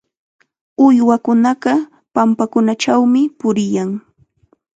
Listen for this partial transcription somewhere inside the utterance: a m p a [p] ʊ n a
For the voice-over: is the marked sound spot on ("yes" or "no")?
no